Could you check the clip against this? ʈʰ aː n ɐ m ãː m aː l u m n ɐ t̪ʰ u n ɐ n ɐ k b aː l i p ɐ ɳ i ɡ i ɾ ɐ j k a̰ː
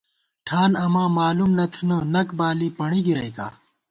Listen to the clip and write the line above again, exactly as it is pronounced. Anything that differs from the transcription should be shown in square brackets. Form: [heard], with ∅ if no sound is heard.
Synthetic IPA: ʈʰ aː n ɐ m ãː m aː l u m n ɐ t̪ʰ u n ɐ n ɐ k b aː l i p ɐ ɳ i ɡ i ɾ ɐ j k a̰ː